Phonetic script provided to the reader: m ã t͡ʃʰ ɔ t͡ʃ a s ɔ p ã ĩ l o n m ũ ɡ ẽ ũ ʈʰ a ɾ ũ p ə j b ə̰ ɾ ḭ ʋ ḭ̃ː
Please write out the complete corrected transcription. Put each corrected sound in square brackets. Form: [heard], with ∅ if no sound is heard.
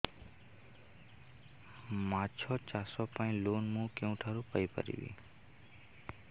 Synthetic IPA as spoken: m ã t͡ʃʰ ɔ t͡ʃ a s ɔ p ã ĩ l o n m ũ [k] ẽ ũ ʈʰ a ɾ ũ p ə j [p] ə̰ ɾ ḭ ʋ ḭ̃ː